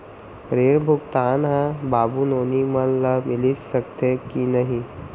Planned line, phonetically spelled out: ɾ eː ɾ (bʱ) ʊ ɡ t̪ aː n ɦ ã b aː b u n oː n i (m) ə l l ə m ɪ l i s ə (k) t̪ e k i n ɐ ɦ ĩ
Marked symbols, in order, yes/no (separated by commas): yes, yes, yes